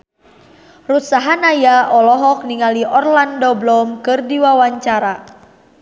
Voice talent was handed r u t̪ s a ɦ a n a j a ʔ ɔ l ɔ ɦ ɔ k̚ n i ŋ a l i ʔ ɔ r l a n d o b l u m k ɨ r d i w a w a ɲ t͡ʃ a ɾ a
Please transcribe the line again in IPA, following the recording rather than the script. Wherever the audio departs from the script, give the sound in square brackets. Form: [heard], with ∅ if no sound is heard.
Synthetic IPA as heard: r u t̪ s a ɦ a n a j a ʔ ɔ l ɔ ɦ ɔ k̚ n i ŋ a l i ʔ ɔ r l a n d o b l [ɔ] m k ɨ r d i w a w a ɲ t͡ʃ a ɾ a